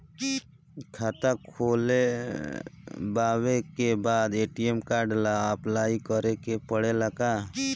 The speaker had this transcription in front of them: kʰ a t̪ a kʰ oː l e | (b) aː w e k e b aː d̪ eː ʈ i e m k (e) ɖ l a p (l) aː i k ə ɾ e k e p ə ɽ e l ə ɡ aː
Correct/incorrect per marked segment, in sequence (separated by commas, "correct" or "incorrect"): correct, incorrect, correct